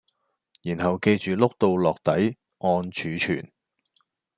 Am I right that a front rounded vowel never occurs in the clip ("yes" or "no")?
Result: no